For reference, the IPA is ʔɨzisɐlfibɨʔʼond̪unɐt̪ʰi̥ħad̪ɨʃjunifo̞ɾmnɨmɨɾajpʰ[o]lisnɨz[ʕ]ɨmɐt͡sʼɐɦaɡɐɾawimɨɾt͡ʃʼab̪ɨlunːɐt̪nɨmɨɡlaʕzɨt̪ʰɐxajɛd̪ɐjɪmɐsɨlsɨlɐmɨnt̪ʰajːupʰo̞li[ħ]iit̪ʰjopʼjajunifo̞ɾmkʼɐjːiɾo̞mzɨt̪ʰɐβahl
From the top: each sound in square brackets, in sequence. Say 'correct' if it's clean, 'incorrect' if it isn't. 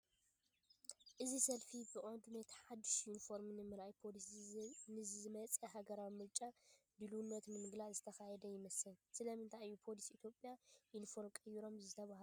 correct, incorrect, incorrect

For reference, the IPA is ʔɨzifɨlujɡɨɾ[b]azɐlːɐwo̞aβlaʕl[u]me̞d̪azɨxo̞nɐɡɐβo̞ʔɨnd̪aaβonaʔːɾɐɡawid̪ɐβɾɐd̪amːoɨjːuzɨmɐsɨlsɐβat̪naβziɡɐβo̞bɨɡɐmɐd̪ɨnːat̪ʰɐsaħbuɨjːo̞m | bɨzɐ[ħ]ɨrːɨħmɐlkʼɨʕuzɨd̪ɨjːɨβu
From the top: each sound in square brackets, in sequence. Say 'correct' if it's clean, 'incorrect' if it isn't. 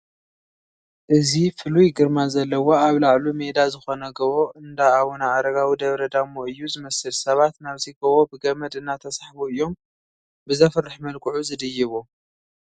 incorrect, correct, incorrect

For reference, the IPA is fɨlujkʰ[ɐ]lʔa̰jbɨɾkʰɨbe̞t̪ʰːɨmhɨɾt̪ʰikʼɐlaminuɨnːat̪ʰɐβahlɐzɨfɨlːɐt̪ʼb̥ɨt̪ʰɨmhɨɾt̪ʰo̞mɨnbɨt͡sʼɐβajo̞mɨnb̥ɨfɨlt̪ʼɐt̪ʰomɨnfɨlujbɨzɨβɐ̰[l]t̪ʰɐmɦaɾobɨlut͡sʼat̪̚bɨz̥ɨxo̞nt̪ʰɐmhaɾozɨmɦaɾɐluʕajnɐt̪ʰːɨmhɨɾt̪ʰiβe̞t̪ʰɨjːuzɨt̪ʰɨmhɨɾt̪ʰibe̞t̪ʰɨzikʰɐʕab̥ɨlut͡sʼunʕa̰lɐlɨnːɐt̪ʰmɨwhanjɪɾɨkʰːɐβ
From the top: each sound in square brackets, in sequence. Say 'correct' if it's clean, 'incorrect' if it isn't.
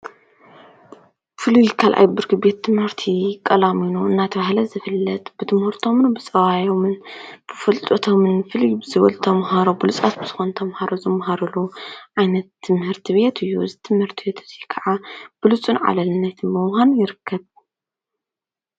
incorrect, correct

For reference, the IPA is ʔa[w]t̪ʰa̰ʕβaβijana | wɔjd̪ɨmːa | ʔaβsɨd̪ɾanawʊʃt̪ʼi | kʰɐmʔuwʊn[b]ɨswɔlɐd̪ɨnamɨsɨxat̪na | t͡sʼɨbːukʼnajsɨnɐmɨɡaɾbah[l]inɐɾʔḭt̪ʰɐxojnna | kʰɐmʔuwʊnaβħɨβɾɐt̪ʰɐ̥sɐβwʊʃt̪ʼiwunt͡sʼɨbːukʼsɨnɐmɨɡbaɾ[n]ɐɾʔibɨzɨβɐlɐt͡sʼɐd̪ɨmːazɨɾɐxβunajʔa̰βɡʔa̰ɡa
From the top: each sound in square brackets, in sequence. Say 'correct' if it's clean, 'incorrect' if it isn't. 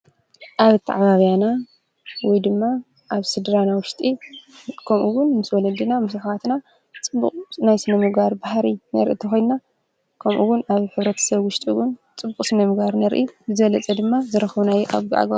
incorrect, incorrect, incorrect, correct

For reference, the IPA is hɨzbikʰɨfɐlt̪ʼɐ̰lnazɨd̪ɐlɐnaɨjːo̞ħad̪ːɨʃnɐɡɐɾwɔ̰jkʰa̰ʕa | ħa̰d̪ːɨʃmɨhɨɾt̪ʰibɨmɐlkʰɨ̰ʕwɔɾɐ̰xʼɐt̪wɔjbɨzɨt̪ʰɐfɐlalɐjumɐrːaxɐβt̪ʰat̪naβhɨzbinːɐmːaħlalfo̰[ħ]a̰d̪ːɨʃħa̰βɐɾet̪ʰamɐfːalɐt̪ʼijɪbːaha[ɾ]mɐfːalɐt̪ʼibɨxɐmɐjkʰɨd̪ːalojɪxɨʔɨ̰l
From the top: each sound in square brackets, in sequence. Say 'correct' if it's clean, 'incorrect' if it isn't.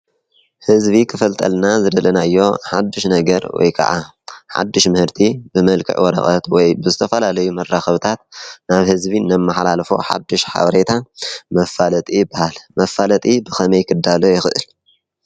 correct, incorrect

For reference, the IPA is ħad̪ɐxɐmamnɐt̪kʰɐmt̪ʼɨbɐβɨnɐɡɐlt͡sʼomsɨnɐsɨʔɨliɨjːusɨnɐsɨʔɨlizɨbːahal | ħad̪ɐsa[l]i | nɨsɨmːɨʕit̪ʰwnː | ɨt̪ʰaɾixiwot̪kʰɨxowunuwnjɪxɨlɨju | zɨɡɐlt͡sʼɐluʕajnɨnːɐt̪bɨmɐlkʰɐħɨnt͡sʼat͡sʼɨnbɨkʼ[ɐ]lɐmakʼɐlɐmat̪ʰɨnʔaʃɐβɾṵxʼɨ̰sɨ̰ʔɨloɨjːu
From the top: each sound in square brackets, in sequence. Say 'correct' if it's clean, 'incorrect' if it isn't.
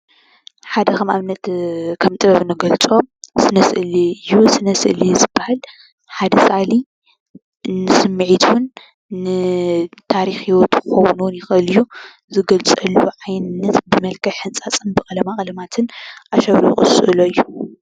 correct, correct

